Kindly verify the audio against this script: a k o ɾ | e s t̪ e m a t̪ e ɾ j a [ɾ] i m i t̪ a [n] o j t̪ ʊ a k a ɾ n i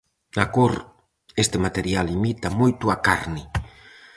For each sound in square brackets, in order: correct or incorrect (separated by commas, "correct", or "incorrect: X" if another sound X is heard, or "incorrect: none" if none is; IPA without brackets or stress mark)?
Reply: incorrect: l, incorrect: m